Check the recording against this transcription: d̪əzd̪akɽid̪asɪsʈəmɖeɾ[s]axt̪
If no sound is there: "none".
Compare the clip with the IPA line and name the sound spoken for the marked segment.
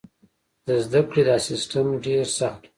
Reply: s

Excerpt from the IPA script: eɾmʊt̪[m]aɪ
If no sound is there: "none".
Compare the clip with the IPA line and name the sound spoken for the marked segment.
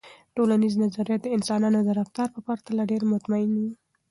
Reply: m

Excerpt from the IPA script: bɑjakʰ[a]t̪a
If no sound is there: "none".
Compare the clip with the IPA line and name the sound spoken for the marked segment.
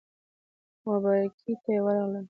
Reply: i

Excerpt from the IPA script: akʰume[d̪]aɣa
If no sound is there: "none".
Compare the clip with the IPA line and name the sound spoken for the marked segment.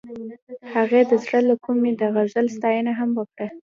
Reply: d̪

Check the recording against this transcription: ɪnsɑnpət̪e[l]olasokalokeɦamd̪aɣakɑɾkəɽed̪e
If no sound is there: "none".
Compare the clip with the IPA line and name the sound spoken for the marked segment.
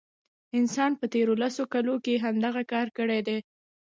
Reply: ɾ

